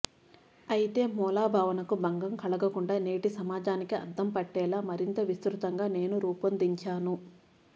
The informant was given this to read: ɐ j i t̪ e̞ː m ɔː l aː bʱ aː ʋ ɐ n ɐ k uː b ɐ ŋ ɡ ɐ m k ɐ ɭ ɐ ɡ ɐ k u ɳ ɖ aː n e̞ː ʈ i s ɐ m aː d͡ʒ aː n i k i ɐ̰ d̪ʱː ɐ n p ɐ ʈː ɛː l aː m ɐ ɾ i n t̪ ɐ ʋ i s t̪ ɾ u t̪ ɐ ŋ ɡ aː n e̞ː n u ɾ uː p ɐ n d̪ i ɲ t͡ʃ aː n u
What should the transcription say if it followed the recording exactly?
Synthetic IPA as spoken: ɐ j i t̪ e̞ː m ɔː l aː bʱ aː ʋ ɐ n ɐ k u b ɐ ŋ ɡ ɐ m k ɐ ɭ ɐ ɡ ɐ k u ɳ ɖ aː n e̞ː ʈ i s ɐ m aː d͡ʒ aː n i k i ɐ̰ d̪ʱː ɐ m p ɐ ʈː ɛː l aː m ɐ ɾ i n t̪ ɐ ʋ i s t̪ ɾ u t̪ ɐ ŋ ɡ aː n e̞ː n u ɾ uː p ɐ n d̪ i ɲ t͡ʃ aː n u